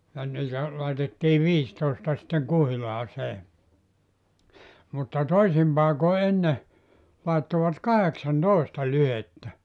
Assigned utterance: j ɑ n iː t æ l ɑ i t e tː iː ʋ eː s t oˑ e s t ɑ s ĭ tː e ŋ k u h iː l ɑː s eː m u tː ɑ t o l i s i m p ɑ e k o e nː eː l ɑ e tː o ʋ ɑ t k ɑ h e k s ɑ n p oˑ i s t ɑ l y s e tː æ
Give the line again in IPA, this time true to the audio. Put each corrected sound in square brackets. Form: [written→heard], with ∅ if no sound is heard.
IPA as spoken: j ɑ n iː t æ l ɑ i t e tː iː ʋ [eː→iː] s t oˑ e s t ɑ s ĭ tː e ŋ k u h [iː→i] l ɑː s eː m u tː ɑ t o [l→∅] i s i m p ɑ e k o e nː [eː→e] l ɑ e tː o ʋ ɑ t k ɑ h e k s ɑ n [p→t] oˑ i s t ɑ l y [s→h] e tː æ